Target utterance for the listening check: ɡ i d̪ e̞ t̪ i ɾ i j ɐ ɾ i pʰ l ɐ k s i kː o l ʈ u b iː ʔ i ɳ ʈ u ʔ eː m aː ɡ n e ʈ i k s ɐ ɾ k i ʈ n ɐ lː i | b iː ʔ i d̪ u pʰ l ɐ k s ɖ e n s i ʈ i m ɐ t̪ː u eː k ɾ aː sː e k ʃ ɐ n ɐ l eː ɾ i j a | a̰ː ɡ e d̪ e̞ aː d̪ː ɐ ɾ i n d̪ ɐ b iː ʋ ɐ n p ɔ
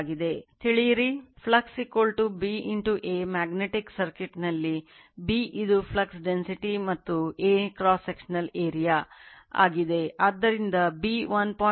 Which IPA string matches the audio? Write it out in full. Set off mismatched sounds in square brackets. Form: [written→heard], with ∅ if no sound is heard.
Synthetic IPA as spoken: ɡ i d̪ e̞ t̪ i [ɾ→ɭ] i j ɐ ɾ i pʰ l ɐ k s i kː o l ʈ u b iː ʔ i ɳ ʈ u ʔ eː m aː ɡ n e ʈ i k s ɐ ɾ k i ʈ n ɐ lː i | b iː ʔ i d̪ u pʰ l ɐ k s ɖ e n s i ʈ i m ɐ t̪ː u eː k ɾ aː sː e k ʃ ɐ n ɐ l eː ɾ i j a | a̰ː ɡ [e→i] d̪ e̞ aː d̪ː ɐ ɾ i n d̪ ɐ b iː ʋ ɐ n p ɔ